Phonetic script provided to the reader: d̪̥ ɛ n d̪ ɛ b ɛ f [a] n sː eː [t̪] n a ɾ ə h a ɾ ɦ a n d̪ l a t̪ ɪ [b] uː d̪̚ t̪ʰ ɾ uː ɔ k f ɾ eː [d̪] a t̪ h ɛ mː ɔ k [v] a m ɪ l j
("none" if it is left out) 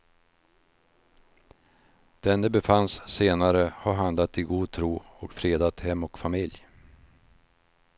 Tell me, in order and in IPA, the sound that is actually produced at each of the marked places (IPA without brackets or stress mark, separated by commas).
a, none, ɡ, d̪, f